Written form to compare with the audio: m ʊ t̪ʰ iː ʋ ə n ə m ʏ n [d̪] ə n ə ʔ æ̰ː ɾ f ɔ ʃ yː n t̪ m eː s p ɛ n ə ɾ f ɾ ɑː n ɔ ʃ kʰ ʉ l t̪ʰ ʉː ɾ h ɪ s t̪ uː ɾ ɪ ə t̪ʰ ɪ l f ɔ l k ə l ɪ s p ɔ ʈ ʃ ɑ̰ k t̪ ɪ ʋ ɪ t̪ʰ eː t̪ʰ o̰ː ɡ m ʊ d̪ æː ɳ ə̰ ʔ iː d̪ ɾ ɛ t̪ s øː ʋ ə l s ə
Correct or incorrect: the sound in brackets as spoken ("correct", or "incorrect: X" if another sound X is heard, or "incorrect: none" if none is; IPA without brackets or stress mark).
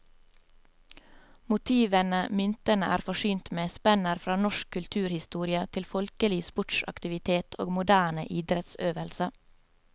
incorrect: t̪